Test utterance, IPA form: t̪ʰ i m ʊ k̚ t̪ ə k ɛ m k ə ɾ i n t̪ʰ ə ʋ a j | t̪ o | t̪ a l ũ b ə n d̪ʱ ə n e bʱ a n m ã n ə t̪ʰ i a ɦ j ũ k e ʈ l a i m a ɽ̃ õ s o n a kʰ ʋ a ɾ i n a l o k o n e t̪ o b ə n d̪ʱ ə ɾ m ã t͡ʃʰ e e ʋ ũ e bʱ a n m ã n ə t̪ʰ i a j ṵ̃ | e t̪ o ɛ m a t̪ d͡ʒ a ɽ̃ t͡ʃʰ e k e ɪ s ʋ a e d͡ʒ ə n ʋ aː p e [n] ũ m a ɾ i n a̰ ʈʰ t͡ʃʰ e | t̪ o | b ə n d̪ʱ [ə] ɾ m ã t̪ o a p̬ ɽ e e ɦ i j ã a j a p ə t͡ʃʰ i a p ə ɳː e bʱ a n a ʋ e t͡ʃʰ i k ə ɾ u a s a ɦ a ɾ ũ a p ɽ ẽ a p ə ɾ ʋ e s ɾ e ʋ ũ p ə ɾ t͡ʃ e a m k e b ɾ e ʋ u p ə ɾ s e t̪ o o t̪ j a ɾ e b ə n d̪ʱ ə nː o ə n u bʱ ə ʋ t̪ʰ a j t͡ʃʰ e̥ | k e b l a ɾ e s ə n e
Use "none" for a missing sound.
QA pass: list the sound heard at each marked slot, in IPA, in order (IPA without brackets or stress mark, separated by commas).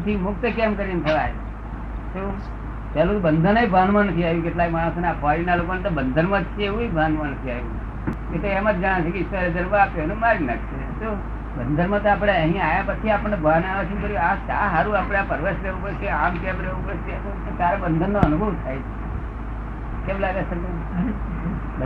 n, ə